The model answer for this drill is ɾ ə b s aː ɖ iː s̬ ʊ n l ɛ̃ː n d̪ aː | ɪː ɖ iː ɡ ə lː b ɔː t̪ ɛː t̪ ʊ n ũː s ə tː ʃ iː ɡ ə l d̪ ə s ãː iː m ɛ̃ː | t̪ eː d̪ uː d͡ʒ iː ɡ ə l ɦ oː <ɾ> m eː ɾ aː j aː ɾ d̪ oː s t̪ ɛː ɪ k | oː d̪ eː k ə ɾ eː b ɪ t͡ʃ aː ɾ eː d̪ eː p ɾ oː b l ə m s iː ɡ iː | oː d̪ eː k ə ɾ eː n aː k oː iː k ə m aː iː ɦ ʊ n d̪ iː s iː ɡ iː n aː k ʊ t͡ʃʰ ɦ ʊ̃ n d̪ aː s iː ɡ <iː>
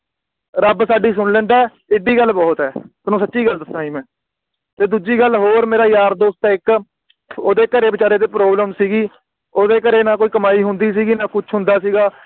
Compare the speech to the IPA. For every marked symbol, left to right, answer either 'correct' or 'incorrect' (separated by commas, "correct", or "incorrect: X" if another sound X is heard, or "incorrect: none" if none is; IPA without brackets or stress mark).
correct, incorrect: aː